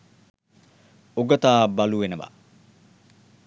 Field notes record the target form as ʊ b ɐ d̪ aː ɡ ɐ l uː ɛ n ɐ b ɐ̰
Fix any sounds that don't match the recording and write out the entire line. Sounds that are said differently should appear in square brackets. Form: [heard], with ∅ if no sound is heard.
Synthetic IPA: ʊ [ɡ] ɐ [t̪] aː [b] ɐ l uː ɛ n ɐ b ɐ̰